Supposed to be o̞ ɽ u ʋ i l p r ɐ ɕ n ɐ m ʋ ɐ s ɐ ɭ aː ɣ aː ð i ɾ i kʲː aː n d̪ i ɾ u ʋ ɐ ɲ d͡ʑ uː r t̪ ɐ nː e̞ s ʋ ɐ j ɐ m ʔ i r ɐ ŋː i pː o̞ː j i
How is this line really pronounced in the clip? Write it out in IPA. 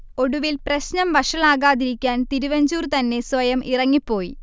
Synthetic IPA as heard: o̞ ɽ u ʋ i l p r ɐ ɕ n ɐ m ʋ ɐ ʂ ɐ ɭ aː ɣ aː ð i ɾ i kʲː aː n t̪ i ɾ u ʋ ɐ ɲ d͡ʑ uː r t̪ ɐ nː e̞ s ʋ ɐ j ɐ m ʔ i r ɐ ŋː i pː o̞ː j i

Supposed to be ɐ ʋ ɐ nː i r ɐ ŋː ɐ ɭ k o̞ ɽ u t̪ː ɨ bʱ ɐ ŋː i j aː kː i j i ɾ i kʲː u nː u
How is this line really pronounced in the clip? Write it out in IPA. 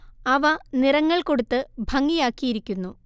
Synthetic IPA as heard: ɐ ʋ ɐ n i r ɐ ŋː ɐ ɭ k o̞ ɽ u t̪ː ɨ bʱ ɐ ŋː i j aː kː i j i ɾ i kʲː u nː u

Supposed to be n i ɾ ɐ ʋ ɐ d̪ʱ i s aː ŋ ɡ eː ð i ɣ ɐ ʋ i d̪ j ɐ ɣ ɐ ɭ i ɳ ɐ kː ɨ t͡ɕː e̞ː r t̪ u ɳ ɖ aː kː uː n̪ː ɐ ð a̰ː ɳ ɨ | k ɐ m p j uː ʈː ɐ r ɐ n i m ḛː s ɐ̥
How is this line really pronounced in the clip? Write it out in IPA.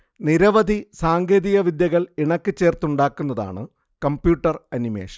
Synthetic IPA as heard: n i ɾ ɐ ʋ ɐ d̪ʱ i s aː ŋ ɡ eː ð i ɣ ɐ ʋ i d̪ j ɐ ɣ ɐ ɭ i ɳ ɐ kː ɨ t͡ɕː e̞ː r t̪ u ɳ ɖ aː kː u n̪ː ɐ ð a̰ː ɳ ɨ | k ɐ m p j uː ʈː ɐ r ɐ n i m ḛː ʂ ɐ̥

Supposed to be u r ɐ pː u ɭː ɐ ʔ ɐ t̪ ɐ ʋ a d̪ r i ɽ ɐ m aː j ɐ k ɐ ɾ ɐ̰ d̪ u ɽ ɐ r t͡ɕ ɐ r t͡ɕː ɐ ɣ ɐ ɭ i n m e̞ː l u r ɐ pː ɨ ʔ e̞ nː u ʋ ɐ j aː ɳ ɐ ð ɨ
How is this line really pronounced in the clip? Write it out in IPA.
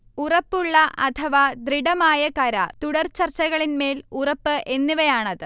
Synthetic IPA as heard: u r ɐ pː u ɭː ɐ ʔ ɐ t̪ʰ ɐ ʋ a d̪ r i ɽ ɐ m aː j ɐ k ɐ ɾ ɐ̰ t̪ u ɽ ɐ r t͡ɕ ɐ r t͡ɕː ɐ ɣ ɐ ɭ i n m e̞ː l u r ɐ pː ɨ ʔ e̞ nː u ʋ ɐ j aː ɳ ɐ ð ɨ

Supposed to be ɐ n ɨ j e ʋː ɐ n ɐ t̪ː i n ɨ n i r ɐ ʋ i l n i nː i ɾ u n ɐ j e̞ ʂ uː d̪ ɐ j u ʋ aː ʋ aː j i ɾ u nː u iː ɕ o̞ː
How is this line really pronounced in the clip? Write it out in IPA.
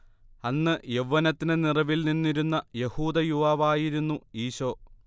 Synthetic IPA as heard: ɐ nː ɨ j e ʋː ɐ n ɐ t̪ː i n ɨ n i r ɐ ʋ i l n i nː i ɾ u nː ɐ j e̞ h uː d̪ ɐ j u ʋ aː ʋ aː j i ɾ u nː u iː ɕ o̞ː

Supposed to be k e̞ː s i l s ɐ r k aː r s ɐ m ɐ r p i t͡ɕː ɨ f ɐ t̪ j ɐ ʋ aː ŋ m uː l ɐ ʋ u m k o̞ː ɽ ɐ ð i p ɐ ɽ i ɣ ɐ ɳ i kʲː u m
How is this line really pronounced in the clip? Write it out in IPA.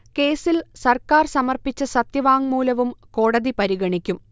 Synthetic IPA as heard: k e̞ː s i l s ɐ r k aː r s ɐ m ɐ r p i t͡ɕː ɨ s ɐ t̪ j ɐ ʋ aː ŋ m uː l ɐ ʋ u m k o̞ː ɽ ɐ ð i p ɐ ɾ i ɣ ɐ ɳ i kʲː u m

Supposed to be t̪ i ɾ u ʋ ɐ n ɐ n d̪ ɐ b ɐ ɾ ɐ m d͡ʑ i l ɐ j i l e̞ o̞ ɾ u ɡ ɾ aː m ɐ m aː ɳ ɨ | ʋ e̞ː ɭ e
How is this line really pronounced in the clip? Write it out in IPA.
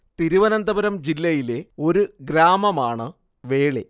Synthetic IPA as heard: t̪ i ɾ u ʋ ɐ n ɐ n d̪ ɐ b ɐ ɾ ɐ m d͡ʑ i lː ɐ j i l e̞ o̞ ɾ u ɡ ɾ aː m ɐ m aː ɳ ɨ | ʋ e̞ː ɭ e

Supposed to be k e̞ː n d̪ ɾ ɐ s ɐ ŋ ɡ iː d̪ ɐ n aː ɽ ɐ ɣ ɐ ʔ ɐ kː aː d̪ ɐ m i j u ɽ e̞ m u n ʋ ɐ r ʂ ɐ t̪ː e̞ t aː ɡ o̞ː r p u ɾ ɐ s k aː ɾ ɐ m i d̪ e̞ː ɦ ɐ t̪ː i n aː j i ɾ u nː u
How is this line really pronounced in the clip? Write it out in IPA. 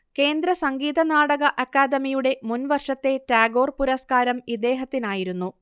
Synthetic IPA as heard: k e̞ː n d̪ ɾ ɐ s ɐ ŋ ɡ iː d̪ ɐ n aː ɽ ɐ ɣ ɐ ʔ ɐ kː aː d̪ ɐ m i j u ɽ e̞ m u n ʋ ɐ r ʂ ɐ t̪ː e̞ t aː ɡ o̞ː r p u ɾ ɐ s k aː ɾ ɐ m i d̪ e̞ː ɦ ɐ t̪ː i n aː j i ɾ u nː u

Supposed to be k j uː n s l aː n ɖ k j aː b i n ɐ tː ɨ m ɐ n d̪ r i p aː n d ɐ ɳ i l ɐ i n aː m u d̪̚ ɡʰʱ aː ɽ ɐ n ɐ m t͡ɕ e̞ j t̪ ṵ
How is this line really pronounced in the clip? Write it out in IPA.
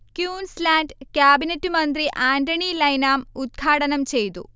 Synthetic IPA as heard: k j uː n s l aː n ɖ k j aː b i n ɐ tː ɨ m ɐ n d̪ r i ʔ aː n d ɐ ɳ i l ɐ j n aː m u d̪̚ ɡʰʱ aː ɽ ɐ n ɐ m t͡ɕ e̞ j t̪ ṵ

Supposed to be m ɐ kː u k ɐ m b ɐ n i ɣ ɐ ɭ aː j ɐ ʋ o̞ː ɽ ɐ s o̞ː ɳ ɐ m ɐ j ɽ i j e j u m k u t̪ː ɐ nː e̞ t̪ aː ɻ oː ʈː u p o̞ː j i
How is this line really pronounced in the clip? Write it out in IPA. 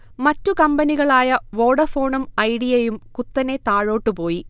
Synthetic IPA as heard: m ɐ tː u k ɐ m b ɐ n i ɣ ɐ ɭ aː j ɐ ʋ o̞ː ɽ ɐ f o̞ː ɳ ɐ m ɐ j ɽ i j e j u m k u t̪ː ɐ n e̞ t̪ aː ɻ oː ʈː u p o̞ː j i

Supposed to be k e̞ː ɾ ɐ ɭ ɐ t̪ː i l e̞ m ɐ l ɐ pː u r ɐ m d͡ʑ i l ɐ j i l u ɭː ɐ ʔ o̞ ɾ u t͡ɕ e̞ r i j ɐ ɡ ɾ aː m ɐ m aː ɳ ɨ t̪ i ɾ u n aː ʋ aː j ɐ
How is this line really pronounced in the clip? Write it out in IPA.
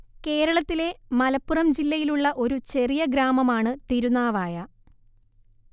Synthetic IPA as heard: k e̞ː ɾ ɐ ɭ ɐ t̪ː i l e̞ m ɐ l ɐ pː u r ɐ m d͡ʑ i lː ɐ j i l u ɭː ɐ ʔ o̞ ɾ u t͡ɕ e̞ r i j ɐ ɡ ɾ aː m ɐ m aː ɳ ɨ t̪ i ɾ u n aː ʋ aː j ɐ

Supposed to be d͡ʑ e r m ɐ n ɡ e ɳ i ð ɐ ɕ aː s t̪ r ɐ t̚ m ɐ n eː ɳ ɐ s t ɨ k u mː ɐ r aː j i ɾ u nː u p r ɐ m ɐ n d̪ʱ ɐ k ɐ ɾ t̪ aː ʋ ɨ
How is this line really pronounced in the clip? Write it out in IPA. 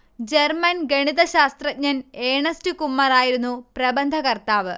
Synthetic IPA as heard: d͡ʑ e r m ɐ n ɡ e ɳ i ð ɐ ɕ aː s t̪ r ɐ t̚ ɲ ɐ n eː ɳ ɐ s t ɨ k u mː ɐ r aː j i ɾ u nː u p r ɐ b ɐ n d̪ʱ ɐ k ɐ r t̪ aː ʋ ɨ

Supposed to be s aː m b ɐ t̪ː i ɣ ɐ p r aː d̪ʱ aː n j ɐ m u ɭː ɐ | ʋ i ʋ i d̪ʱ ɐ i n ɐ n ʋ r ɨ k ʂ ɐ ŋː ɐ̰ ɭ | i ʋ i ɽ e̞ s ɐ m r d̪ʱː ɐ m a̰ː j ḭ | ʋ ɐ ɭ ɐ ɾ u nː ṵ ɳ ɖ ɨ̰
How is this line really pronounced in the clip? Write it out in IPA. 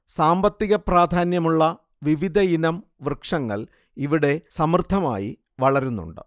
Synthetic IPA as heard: s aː m b ɐ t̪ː i ɣ ɐ p r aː d̪ʱ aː n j ɐ m u ɭː ɐ | ʋ i ʋ i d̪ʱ ɐ i n ɐ m ʋ r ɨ k ʂ ɐ ŋː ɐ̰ ɭ | i ʋ i ɽ e̞ s ɐ m r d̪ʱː ɐ m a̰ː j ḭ | ʋ ɐ ɭ ɐ ɾ u nː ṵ ɳ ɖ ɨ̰

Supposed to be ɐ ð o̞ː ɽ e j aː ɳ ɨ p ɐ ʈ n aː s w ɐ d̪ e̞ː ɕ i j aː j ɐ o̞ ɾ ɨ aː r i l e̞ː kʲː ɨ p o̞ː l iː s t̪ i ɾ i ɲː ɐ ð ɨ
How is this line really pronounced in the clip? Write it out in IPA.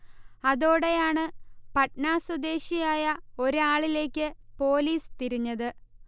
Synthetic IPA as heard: ɐ ð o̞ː ɽ e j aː ɳ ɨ p ɐ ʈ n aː s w ɐ d̪ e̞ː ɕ i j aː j ɐ o̞ ɾ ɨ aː ɭ i l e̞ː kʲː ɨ p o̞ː l iː s t̪ i ɾ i ɲː ɐ ð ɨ

